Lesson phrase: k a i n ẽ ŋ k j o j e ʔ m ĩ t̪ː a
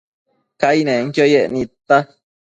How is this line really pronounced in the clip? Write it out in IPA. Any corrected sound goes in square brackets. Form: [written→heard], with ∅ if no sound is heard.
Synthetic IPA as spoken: k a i n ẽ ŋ k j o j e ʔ [m→n] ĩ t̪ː a